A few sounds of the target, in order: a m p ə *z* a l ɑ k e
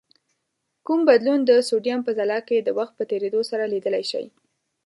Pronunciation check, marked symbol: correct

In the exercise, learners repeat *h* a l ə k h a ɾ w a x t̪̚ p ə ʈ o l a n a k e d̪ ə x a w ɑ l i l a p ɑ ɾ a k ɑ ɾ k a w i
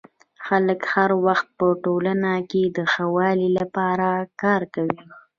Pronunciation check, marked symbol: incorrect: x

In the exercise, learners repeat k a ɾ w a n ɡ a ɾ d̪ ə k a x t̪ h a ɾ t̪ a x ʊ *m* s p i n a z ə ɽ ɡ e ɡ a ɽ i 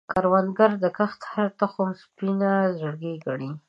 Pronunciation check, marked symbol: correct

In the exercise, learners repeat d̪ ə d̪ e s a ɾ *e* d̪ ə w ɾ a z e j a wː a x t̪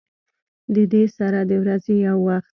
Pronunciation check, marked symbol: incorrect: a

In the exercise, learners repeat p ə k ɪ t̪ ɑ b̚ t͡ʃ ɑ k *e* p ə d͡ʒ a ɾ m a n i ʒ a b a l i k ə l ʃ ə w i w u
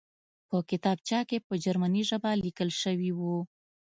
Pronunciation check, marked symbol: correct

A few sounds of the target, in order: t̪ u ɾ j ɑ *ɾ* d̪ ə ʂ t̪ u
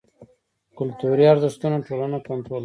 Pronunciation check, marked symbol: correct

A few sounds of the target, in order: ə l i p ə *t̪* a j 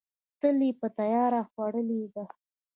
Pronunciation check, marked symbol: correct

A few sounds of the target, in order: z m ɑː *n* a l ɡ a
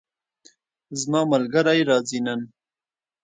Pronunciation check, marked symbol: incorrect: m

